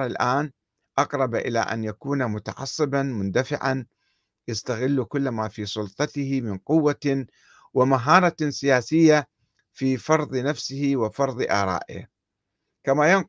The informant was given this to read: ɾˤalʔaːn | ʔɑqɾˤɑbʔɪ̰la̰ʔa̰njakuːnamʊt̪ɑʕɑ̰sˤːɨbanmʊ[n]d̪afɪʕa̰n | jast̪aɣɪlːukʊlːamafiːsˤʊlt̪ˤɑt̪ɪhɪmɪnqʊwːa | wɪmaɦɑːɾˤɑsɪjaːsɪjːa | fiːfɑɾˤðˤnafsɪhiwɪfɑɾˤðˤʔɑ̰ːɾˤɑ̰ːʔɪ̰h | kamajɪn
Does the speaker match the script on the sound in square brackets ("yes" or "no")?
yes